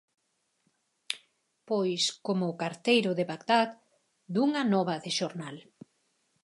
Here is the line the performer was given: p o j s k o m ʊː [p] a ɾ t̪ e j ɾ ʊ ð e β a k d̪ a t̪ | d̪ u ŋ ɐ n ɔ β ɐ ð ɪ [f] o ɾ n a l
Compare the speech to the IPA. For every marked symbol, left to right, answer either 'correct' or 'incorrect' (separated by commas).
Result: incorrect, incorrect